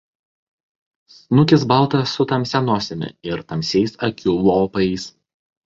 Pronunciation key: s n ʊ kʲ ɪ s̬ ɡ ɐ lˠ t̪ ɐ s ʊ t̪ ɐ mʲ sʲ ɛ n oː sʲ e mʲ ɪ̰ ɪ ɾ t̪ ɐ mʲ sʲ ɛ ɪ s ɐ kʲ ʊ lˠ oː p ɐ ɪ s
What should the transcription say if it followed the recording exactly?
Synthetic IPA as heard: s n ʊ kʲ ɪ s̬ b ɐ lˠ t̪ ɐ s ʊ t̪ ɐ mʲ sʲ ɛ n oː sʲ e mʲ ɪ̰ ɪ ɾ t̪ ɐ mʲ sʲ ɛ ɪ s ɐ kʲ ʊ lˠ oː p ɐ ɪ s